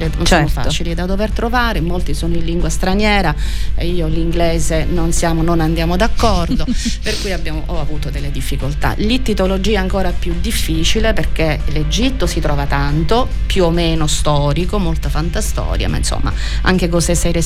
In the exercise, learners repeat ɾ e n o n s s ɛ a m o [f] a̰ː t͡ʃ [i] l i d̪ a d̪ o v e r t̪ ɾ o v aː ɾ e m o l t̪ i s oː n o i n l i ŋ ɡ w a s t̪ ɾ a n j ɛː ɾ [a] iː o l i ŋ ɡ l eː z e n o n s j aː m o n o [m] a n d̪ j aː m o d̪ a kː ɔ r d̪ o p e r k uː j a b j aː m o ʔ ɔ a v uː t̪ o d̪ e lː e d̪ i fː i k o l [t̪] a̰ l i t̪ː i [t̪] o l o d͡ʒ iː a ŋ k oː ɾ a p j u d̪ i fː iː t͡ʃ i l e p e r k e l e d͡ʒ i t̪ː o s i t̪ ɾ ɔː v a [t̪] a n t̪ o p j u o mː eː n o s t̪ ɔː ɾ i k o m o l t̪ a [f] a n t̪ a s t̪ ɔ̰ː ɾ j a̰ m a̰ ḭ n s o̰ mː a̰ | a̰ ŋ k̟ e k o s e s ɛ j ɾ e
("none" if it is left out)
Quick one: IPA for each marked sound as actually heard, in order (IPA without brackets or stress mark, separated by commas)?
f, i, a, n, t̪, t̪, t̪, f